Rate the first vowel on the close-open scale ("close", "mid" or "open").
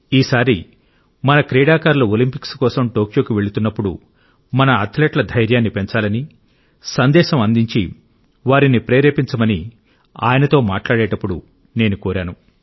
close